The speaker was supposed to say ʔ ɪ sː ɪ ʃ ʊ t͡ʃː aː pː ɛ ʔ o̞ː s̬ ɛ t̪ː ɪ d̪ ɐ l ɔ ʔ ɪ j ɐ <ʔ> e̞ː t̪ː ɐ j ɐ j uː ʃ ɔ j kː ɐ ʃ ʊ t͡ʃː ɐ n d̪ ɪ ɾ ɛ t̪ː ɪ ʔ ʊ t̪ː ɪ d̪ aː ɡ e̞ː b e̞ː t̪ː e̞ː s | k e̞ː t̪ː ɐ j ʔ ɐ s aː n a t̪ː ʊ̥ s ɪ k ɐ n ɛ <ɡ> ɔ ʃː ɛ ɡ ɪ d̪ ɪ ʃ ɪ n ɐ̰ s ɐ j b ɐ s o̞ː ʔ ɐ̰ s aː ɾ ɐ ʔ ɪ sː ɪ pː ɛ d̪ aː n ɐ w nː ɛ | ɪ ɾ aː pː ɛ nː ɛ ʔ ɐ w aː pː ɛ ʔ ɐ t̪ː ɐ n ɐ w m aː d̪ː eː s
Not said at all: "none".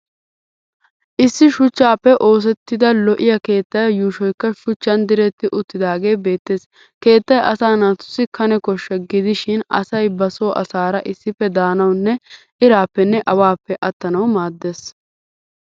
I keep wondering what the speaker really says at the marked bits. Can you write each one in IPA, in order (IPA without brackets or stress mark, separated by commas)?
k, k